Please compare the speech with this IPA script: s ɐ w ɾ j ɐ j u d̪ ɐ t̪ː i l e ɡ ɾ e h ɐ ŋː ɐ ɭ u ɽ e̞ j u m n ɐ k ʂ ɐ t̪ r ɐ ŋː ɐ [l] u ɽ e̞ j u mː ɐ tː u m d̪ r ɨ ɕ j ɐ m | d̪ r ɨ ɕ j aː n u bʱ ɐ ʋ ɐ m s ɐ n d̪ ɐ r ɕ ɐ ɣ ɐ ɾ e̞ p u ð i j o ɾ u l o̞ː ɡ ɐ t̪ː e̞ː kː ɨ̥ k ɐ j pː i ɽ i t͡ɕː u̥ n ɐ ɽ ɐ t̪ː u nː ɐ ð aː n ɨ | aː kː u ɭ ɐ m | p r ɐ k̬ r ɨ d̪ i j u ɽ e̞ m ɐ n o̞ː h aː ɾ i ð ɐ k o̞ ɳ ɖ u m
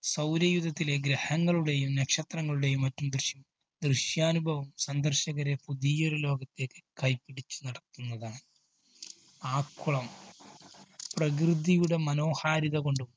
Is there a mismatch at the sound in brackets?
yes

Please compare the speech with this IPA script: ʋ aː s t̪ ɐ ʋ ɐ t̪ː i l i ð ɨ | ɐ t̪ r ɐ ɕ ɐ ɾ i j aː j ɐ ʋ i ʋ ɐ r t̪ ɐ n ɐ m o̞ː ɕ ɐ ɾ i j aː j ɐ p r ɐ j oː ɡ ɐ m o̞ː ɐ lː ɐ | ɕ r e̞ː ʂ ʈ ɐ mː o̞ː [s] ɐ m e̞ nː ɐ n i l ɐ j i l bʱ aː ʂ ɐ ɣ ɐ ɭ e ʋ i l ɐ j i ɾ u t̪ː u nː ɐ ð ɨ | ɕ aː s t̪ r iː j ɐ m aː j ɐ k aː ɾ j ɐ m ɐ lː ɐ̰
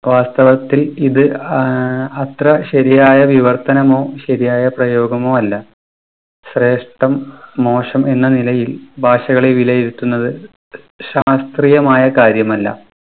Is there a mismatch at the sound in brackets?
yes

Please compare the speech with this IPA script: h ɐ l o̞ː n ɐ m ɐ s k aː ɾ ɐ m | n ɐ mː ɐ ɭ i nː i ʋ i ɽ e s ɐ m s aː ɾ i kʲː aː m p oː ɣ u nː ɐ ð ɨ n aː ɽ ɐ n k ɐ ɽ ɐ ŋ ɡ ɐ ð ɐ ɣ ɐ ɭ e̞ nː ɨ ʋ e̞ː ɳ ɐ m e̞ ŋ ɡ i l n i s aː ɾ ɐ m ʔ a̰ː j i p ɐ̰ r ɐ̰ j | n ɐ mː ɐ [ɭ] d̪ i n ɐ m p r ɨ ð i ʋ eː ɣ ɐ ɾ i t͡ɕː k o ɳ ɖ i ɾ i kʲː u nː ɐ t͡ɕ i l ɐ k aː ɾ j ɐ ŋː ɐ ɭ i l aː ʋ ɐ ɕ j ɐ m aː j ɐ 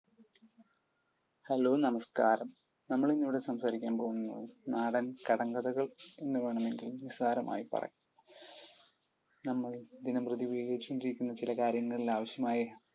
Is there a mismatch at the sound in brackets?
no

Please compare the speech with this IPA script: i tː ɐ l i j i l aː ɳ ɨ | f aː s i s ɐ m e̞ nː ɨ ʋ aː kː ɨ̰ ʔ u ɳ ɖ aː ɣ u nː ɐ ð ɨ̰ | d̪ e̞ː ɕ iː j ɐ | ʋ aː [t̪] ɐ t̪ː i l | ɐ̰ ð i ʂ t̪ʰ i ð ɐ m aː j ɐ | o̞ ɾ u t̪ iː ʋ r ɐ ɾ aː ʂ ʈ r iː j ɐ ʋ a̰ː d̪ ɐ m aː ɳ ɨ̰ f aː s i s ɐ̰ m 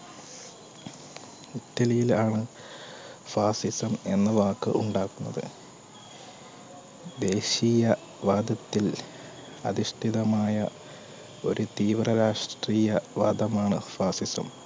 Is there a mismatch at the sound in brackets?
yes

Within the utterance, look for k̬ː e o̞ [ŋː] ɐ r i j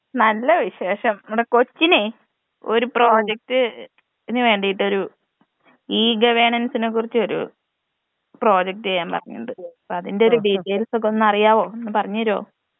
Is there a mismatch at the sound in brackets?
yes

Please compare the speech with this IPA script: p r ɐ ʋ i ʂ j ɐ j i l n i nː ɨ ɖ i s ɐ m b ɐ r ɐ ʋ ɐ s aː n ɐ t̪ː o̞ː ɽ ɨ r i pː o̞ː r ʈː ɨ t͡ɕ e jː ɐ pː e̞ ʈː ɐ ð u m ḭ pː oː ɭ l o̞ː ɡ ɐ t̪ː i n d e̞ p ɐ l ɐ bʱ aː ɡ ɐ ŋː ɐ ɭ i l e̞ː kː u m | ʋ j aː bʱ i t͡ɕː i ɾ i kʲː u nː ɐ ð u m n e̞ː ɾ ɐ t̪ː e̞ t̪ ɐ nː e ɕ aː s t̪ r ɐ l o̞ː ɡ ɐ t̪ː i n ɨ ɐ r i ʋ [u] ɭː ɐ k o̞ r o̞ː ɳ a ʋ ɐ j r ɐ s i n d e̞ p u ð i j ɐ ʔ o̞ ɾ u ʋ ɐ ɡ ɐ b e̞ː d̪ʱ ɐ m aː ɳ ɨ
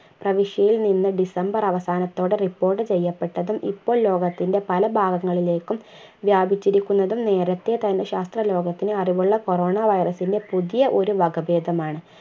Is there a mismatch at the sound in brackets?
no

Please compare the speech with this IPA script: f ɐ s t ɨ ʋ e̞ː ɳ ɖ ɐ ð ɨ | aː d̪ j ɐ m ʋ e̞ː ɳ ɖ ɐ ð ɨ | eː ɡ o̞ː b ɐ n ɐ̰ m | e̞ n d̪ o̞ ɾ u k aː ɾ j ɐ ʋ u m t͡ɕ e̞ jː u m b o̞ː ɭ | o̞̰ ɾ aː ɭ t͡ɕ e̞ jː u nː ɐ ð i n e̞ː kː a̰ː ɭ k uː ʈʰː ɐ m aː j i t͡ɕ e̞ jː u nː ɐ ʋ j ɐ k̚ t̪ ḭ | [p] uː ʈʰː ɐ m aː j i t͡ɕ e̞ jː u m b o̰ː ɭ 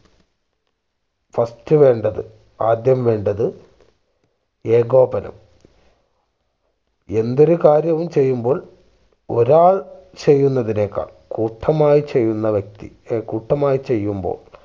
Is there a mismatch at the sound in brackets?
yes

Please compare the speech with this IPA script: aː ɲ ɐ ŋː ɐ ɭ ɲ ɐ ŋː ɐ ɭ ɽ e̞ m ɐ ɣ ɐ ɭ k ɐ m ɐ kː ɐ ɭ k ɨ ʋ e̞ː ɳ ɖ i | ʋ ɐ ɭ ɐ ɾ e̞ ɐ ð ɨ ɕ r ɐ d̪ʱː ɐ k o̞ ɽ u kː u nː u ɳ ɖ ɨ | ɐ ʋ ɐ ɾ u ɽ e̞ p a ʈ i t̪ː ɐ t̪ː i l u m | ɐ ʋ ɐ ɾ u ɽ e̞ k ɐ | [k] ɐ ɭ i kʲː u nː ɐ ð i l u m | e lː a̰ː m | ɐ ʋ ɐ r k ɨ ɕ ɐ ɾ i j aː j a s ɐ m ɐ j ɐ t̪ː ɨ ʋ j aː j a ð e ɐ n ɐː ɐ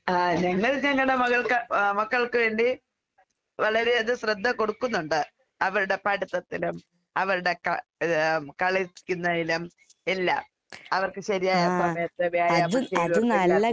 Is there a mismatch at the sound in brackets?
no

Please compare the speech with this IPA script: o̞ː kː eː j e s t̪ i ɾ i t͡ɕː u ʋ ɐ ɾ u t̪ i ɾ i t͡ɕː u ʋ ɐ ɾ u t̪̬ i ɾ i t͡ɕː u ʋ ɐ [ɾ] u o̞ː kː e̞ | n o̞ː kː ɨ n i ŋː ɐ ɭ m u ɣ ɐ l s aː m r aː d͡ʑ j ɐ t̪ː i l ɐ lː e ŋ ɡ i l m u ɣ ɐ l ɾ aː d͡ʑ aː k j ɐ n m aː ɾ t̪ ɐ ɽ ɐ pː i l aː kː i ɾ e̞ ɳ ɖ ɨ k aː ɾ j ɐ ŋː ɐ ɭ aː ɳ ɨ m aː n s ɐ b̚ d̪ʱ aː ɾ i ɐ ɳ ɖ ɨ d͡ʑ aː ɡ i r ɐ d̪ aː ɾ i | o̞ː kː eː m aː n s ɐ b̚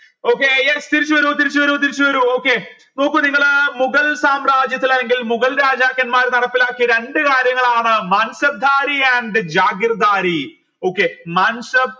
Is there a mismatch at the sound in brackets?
no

